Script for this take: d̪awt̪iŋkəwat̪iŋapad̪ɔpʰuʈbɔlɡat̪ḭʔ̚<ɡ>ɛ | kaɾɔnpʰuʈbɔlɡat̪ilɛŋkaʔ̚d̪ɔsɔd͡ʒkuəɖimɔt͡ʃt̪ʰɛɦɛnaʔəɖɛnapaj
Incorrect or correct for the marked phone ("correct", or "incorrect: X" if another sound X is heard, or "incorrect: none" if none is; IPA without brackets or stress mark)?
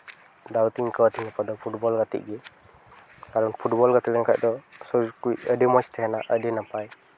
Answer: correct